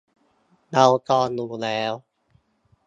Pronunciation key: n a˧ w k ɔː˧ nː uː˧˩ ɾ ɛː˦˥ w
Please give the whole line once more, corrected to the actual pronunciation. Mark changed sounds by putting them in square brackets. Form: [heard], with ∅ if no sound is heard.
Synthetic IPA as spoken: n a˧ w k ɔː˧ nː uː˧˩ [l] ɛː˦˥ w